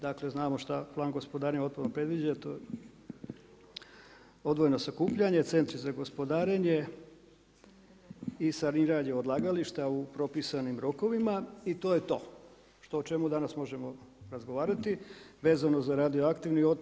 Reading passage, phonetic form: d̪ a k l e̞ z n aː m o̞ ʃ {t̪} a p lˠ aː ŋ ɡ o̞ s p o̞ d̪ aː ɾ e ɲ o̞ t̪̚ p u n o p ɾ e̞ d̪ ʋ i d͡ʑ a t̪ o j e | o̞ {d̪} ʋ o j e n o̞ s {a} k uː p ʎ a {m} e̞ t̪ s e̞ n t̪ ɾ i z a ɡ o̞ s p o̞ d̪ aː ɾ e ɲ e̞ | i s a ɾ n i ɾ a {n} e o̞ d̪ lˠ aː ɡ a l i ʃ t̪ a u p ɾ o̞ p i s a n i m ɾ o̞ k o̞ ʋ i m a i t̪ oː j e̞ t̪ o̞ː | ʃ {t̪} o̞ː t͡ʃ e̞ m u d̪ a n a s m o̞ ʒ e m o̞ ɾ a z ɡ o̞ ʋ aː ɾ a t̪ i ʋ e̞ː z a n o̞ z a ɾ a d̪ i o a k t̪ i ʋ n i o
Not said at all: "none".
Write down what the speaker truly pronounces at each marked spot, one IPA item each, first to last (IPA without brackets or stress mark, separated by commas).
t̪, d̪, a, ɲ, ɲ, t̪